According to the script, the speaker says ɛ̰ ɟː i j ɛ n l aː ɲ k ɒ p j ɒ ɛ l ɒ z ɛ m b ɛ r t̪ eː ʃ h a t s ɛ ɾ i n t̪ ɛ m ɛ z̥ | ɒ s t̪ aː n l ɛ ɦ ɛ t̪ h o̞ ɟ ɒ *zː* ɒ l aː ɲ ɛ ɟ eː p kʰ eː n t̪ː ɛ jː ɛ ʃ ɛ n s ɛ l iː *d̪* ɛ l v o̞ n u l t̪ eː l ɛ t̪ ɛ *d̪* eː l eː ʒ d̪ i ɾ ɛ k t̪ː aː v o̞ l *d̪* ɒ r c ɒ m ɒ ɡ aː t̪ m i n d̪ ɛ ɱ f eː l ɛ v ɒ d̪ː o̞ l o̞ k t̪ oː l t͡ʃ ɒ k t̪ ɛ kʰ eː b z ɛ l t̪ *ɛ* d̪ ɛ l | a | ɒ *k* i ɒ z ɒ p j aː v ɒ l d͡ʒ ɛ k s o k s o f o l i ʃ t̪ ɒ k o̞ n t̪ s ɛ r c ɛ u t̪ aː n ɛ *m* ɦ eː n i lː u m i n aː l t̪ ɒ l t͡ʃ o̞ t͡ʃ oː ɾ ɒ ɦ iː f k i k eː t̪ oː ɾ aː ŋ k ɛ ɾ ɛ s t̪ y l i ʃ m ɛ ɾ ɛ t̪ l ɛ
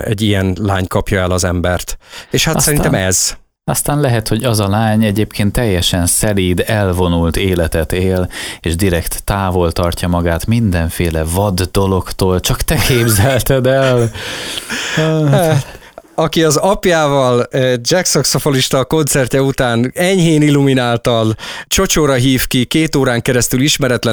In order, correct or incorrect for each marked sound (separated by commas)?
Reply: incorrect, correct, incorrect, incorrect, correct, correct, incorrect